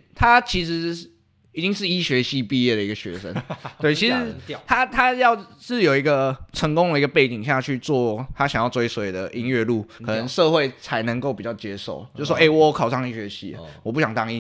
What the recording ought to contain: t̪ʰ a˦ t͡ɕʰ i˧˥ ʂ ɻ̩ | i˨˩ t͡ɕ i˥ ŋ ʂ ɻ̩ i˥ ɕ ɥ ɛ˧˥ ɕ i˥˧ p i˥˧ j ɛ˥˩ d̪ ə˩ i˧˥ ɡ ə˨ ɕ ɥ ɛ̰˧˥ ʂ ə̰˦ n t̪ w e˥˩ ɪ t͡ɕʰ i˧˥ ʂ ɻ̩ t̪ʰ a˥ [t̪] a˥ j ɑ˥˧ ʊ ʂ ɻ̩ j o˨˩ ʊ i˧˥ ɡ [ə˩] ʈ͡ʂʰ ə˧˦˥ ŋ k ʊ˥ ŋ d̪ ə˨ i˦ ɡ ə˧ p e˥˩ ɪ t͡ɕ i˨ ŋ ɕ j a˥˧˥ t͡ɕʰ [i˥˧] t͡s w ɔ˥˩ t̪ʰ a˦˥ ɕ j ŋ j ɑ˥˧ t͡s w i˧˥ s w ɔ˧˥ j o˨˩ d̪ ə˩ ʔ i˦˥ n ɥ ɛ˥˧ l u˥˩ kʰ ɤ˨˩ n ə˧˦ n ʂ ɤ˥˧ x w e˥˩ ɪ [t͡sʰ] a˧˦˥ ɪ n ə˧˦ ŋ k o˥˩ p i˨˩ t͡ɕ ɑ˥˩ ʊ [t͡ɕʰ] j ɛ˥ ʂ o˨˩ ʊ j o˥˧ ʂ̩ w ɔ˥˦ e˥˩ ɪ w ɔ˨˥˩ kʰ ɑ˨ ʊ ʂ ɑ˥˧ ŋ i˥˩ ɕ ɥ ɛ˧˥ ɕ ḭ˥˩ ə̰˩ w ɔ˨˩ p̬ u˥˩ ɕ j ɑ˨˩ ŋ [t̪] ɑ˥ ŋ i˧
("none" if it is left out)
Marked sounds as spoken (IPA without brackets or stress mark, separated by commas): t̪ʰ, ə˧, y˥˧, t͡sʰ, t͡ɕ, t̪